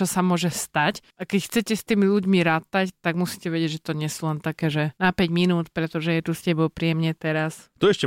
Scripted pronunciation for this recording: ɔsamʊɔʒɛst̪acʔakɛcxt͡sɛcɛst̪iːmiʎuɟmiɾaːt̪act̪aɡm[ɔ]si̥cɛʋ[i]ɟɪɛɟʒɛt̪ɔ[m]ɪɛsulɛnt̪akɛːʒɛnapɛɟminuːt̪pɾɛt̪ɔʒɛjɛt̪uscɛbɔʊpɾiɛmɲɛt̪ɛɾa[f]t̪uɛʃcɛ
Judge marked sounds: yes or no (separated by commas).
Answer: no, no, no, no